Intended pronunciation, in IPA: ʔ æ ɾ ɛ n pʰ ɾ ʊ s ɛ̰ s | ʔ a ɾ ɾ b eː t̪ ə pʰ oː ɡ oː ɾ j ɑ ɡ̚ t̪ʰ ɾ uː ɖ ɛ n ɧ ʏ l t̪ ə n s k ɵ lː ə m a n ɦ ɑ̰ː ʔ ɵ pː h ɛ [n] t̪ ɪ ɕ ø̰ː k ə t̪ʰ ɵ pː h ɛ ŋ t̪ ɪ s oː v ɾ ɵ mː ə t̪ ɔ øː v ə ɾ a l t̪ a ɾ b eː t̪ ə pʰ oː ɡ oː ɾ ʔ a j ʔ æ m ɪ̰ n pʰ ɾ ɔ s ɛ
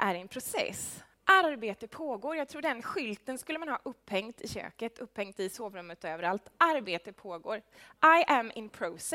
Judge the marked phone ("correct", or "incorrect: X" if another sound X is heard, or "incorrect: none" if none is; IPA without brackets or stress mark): incorrect: ŋ